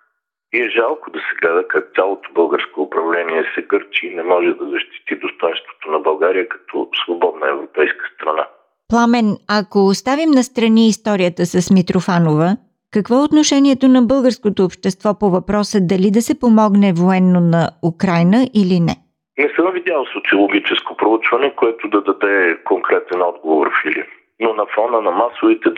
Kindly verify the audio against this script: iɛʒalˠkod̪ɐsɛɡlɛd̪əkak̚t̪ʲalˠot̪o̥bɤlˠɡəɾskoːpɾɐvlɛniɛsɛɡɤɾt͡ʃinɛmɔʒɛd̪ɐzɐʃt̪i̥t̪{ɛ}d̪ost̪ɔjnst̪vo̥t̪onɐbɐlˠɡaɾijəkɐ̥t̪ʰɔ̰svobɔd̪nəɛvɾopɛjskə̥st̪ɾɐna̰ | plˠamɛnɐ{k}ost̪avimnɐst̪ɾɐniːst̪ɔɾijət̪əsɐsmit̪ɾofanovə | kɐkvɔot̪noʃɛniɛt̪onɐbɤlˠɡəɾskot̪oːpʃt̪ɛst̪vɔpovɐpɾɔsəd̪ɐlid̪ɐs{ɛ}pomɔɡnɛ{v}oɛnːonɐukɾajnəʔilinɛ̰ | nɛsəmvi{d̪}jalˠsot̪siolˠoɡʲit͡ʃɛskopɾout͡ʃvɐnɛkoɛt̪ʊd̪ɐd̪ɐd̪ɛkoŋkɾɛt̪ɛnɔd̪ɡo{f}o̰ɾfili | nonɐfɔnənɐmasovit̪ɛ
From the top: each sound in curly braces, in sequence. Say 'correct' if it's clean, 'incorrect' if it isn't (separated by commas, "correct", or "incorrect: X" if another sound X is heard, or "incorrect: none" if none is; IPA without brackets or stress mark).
incorrect: i, correct, correct, correct, correct, incorrect: v